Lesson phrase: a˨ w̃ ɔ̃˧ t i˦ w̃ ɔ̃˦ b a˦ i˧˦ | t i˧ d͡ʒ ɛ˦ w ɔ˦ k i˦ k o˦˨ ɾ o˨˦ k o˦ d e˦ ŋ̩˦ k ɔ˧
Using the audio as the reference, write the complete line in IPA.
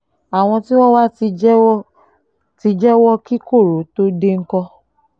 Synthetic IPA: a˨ w̃ ɔ̃˧ t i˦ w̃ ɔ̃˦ w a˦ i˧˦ | t i˧ d͡ʒ ɛ˦ w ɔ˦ k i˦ k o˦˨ ɾ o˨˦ t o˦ d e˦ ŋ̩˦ k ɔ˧